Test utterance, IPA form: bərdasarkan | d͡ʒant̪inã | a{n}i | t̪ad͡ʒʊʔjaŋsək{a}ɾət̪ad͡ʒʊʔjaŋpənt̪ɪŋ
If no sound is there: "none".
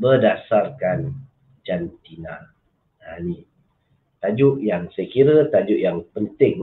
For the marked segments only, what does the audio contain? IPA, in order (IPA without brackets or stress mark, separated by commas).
n, i